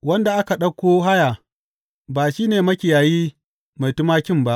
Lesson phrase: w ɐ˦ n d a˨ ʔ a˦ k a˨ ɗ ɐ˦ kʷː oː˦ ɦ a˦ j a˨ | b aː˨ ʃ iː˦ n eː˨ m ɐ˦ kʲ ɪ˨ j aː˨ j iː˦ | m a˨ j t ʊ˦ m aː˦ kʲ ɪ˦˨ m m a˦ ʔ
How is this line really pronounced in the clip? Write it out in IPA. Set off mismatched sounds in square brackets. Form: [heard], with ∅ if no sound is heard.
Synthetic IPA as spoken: w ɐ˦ n d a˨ ʔ a˦ k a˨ ɗ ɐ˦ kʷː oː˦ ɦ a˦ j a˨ | b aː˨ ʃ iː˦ n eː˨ m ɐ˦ kʲ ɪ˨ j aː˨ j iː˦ | m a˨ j t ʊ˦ m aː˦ kʲ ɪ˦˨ m [b] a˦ ʔ